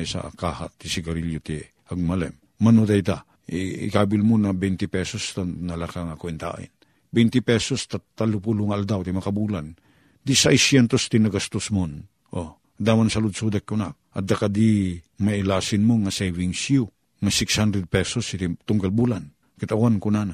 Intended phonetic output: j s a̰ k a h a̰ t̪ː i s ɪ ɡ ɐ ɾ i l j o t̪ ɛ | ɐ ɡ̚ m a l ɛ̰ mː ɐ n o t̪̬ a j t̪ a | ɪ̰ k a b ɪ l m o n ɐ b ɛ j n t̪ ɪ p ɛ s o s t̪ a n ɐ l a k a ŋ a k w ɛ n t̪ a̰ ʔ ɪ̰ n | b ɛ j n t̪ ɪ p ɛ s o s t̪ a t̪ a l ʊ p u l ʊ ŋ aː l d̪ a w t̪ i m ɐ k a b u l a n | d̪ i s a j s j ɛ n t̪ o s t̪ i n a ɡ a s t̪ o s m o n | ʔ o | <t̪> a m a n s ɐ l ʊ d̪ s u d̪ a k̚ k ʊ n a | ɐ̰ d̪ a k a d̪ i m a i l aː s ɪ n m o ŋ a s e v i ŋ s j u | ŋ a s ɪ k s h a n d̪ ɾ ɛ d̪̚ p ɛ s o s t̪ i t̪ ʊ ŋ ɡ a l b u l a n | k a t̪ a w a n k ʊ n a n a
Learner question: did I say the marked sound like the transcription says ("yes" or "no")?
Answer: no